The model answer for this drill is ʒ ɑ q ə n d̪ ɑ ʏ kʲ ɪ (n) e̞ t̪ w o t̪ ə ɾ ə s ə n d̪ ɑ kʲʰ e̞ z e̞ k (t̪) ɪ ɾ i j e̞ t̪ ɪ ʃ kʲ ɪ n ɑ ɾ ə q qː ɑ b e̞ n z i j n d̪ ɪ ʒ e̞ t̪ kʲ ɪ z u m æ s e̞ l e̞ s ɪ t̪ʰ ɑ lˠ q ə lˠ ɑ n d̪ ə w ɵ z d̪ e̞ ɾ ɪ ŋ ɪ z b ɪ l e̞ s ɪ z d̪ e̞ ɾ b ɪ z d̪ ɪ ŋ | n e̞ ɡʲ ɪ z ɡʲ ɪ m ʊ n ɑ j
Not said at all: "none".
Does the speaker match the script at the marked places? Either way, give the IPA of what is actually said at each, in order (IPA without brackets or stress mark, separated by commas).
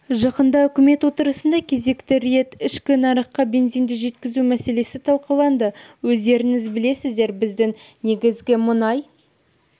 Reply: m, t̪